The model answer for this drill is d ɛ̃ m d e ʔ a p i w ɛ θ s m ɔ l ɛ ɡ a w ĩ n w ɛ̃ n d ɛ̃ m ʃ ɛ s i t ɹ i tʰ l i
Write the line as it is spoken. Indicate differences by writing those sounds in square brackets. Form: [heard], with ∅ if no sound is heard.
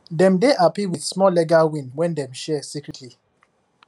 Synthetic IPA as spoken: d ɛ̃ m d e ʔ a p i w [i] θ s m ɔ l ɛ ɡ a w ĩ n w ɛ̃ n d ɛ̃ m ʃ ɛ s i [k] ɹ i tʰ l i